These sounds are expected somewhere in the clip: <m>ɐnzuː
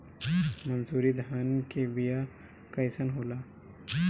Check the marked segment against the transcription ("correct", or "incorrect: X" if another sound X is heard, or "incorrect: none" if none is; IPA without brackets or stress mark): correct